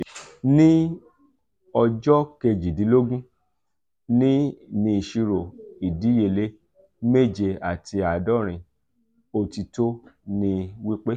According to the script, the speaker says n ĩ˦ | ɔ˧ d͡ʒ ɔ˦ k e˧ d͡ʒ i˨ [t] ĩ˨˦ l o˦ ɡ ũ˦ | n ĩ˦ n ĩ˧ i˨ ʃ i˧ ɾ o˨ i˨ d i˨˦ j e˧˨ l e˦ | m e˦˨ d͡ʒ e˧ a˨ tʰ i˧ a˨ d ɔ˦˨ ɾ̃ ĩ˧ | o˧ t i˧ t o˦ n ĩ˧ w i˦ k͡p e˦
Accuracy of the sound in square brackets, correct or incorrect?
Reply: incorrect